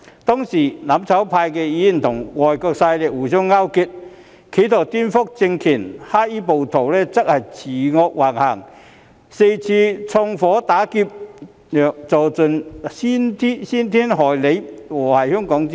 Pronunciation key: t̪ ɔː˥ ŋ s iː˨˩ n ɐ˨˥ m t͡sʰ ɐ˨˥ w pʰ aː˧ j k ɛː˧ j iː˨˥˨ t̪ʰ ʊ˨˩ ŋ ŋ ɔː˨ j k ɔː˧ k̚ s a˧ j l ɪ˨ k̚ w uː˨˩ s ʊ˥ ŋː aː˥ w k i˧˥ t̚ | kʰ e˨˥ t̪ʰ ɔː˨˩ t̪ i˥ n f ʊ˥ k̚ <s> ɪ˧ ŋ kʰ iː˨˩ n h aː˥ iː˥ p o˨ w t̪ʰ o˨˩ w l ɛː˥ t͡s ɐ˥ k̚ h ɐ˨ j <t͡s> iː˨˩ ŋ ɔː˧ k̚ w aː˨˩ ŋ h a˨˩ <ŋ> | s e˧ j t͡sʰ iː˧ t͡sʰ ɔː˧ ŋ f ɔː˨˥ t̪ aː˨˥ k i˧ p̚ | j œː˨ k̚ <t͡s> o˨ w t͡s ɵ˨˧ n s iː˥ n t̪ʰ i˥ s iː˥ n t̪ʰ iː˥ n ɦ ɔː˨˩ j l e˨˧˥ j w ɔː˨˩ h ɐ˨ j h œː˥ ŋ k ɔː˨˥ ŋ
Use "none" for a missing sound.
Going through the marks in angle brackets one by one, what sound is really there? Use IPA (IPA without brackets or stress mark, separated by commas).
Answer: t͡s, t͡sʰ, ŋ, t͡s